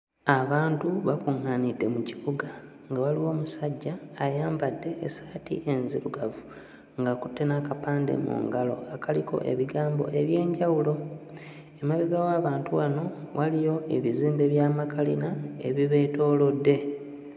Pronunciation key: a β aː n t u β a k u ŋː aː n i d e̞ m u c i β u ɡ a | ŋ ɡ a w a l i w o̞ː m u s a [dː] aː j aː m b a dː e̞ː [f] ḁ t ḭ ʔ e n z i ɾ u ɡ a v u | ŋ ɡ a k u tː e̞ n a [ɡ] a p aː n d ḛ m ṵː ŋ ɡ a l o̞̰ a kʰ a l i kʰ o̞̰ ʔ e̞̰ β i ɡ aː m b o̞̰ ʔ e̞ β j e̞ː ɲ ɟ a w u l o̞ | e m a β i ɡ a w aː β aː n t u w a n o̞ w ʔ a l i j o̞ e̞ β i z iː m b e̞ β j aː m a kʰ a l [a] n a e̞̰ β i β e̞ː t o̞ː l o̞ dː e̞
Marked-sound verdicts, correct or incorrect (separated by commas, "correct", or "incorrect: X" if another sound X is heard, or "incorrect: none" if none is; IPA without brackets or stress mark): incorrect: ɟː, incorrect: s, incorrect: k, incorrect: i